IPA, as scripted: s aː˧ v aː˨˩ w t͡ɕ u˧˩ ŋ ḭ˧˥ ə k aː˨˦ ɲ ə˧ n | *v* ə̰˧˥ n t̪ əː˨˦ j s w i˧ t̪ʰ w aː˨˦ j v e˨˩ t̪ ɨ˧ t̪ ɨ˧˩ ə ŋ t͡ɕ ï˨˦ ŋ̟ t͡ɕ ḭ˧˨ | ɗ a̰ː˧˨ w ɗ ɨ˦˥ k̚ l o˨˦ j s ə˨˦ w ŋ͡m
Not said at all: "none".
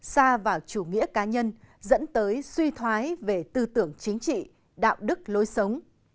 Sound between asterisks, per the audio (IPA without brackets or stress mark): z